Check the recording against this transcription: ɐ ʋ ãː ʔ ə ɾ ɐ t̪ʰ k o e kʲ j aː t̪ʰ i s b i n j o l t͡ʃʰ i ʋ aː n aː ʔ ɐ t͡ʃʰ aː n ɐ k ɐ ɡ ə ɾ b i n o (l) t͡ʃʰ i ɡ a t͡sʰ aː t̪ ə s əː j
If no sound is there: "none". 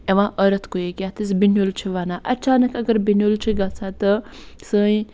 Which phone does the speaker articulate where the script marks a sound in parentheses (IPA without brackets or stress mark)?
l